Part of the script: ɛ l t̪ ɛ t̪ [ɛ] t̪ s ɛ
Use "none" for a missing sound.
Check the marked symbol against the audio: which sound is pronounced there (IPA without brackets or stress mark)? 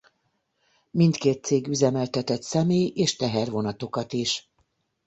ɛ